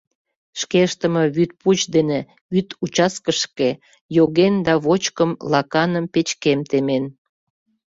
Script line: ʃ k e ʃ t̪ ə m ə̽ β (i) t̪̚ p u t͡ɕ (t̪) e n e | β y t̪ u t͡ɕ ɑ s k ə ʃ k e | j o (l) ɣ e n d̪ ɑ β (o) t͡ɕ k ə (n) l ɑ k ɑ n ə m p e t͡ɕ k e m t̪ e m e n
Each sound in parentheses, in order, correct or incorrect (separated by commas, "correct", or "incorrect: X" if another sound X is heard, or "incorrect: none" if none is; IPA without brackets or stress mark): incorrect: y, incorrect: d̪, incorrect: none, correct, incorrect: m